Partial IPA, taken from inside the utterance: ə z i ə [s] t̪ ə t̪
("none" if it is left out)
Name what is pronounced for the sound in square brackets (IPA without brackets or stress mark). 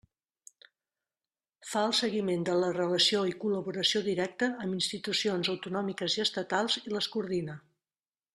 s